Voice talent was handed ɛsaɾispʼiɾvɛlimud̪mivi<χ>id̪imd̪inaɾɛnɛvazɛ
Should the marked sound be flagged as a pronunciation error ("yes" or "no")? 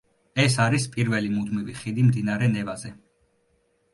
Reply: no